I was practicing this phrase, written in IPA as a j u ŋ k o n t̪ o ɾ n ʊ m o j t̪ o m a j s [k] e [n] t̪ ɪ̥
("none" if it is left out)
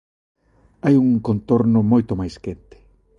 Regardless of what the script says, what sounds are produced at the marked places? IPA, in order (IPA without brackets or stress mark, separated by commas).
k, n